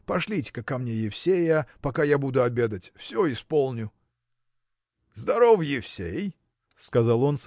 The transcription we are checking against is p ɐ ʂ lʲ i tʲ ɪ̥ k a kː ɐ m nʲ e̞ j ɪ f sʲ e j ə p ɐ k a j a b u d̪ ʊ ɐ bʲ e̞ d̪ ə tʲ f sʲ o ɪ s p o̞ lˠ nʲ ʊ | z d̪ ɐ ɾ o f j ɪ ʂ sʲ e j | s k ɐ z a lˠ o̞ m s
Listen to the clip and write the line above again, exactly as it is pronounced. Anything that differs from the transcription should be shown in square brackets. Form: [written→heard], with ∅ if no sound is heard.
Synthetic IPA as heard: p ɐ ʂ lʲ i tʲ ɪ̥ k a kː ɐ m nʲ e̞ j ɪ f sʲ e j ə p ɐ k a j a b u d̪ ʊ ɐ bʲ e̞ d̪ ə tʲ f sʲ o ɪ s p o̞ lˠ nʲ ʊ | z d̪ ɐ ɾ o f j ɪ [ʂ→f] sʲ e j | s k ɐ z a lˠ o̞ [m→n] s

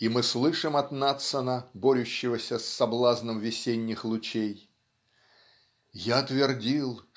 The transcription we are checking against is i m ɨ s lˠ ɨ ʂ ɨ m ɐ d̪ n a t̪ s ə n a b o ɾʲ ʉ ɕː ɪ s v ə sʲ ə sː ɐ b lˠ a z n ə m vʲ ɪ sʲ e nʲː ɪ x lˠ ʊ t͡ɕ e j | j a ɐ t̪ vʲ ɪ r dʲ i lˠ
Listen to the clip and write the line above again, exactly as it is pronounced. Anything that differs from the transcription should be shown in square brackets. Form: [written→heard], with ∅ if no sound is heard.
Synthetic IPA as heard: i m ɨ s lˠ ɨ ʂ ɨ m ɐ [d̪→t̪] n a t̪ s ə n [a→ə] b o ɾʲ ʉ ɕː ɪ [s→∅] v ə sʲ ə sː ɐ b lˠ a z n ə m vʲ ɪ sʲ e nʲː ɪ x lˠ ʊ t͡ɕ e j | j a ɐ t̪ vʲ ɪ r dʲ i lˠ

